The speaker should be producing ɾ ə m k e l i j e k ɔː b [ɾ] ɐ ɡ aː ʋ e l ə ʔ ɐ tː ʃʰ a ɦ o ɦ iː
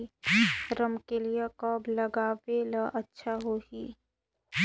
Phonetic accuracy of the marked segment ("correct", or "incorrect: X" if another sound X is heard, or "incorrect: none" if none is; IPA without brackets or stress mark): incorrect: l